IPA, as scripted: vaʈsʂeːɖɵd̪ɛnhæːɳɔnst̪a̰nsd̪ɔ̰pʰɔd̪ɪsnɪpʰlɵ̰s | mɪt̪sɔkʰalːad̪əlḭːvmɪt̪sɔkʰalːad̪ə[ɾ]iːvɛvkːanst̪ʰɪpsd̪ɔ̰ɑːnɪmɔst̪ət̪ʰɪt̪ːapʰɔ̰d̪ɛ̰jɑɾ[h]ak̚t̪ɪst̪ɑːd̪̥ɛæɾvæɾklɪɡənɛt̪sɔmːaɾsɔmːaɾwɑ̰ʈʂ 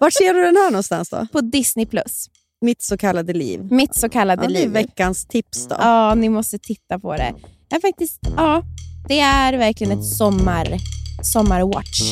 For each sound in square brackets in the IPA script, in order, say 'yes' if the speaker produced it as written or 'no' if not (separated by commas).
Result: no, no